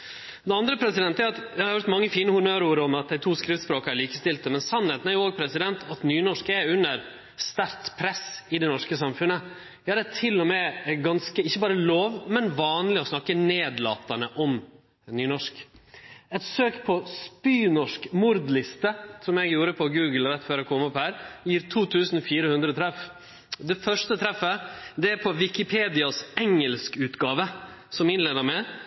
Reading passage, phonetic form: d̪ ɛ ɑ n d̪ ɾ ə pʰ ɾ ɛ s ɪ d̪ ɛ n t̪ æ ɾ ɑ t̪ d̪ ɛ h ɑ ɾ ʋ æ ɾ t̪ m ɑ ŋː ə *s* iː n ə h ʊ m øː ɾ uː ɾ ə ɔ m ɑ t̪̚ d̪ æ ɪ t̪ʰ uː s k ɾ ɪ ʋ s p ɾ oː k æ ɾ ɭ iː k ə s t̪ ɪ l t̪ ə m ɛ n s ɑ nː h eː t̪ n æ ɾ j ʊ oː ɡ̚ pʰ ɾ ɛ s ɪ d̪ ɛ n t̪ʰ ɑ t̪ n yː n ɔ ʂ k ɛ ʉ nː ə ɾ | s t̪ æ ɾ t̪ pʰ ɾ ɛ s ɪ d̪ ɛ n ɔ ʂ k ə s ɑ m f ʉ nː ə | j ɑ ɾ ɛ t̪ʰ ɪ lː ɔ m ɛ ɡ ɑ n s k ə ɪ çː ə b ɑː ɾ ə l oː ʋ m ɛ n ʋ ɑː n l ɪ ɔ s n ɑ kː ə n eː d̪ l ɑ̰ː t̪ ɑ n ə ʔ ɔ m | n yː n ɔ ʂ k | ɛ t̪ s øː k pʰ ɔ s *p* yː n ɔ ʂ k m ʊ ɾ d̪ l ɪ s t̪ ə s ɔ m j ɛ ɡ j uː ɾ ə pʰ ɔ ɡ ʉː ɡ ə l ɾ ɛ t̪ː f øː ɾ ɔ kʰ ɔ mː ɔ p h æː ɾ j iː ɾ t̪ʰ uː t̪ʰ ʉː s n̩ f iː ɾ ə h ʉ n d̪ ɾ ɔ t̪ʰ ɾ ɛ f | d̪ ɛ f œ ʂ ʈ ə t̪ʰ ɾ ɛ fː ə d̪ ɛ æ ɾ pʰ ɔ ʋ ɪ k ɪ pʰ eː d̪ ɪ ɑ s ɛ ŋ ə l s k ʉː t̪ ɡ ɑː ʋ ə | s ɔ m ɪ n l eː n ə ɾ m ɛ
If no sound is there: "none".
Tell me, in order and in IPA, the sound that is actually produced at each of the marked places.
f, p

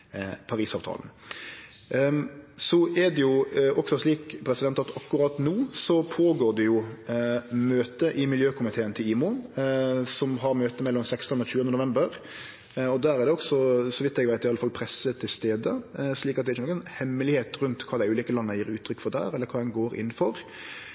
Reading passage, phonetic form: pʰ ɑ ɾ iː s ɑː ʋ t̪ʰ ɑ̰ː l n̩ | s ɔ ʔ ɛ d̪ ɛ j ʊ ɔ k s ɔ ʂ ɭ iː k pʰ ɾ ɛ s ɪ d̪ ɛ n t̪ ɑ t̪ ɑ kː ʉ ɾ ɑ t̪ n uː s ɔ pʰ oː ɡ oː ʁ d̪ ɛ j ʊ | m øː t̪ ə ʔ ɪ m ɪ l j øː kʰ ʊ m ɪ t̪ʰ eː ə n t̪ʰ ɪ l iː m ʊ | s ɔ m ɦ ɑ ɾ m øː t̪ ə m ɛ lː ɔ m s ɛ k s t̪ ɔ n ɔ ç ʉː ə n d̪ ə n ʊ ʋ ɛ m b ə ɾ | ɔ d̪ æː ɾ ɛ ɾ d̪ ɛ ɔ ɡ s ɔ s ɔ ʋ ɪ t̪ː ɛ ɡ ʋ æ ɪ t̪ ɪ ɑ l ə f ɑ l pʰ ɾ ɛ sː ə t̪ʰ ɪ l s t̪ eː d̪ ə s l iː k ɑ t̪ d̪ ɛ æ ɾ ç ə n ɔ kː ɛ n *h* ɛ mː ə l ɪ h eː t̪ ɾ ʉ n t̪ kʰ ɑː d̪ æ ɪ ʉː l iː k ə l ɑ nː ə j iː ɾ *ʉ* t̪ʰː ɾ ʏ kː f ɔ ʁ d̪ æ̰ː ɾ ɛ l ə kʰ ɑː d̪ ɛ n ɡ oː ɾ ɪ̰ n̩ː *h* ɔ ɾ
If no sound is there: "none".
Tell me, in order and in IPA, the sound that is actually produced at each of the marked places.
h, ʉː, f

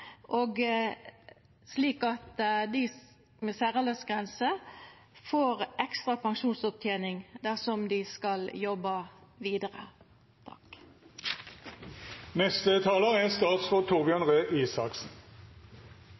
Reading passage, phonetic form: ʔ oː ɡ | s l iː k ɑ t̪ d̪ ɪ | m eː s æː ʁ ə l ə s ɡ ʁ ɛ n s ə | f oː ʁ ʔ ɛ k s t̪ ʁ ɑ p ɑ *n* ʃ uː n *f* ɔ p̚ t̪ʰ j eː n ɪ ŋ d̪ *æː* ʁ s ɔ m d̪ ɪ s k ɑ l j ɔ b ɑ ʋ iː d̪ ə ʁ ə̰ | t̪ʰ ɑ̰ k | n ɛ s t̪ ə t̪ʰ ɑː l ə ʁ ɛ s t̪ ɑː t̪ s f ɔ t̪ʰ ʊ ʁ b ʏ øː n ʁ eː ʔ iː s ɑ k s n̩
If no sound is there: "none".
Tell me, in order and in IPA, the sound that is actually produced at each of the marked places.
ŋ, s, æ

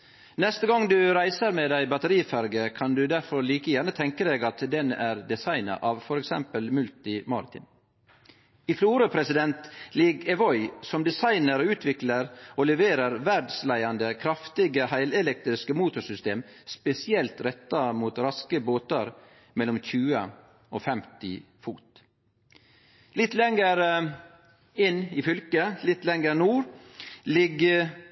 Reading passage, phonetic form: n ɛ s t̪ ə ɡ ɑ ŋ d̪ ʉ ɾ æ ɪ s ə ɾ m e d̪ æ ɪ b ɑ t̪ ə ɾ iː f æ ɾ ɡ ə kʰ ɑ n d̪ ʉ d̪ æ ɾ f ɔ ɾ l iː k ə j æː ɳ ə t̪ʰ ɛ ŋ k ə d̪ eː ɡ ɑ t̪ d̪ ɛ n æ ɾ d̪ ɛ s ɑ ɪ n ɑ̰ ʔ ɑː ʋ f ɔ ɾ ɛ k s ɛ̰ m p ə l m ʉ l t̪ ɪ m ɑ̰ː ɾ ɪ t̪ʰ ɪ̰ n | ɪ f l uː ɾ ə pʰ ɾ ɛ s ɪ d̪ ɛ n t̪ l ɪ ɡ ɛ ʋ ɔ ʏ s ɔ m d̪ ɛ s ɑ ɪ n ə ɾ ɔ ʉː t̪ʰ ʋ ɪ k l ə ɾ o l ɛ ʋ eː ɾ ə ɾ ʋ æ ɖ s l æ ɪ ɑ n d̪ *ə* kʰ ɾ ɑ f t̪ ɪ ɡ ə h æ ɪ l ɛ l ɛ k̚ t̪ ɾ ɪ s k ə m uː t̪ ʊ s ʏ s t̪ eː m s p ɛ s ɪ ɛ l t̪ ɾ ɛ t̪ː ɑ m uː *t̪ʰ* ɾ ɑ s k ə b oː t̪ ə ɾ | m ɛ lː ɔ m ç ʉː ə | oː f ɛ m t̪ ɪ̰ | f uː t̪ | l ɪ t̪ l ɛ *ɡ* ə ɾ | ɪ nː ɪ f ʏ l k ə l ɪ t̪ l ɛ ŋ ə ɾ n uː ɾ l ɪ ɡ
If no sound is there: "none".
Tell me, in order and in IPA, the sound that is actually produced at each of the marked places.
ə, t̪, ŋ

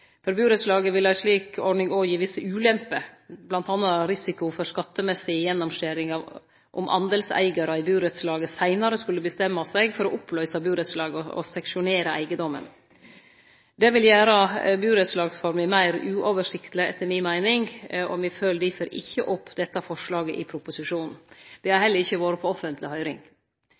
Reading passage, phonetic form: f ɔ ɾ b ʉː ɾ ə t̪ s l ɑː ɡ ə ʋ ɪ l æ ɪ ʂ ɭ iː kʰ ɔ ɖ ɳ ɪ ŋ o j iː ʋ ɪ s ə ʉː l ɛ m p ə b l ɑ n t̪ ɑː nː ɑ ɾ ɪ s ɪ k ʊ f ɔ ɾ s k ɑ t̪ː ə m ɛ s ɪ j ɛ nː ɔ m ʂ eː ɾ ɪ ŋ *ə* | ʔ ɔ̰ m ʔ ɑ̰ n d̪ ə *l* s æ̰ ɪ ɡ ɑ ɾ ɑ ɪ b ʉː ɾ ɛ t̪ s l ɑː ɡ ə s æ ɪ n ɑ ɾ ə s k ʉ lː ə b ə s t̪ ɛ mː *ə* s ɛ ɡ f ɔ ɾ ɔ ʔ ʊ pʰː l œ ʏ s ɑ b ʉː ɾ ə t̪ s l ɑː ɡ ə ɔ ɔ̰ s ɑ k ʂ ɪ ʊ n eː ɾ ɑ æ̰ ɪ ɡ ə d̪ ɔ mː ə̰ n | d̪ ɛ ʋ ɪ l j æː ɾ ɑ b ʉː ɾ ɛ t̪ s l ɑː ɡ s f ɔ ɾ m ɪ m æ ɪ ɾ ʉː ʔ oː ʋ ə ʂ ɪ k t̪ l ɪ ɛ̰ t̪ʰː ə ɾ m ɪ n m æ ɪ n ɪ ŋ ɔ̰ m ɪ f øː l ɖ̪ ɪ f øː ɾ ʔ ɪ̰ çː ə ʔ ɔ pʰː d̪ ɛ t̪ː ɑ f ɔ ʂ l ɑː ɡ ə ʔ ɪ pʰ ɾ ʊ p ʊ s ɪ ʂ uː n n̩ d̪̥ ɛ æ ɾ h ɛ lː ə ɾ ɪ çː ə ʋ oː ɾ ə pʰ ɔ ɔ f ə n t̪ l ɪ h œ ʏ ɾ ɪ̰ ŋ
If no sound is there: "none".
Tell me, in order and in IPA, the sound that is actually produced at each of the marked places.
ɑ, l, ɑ

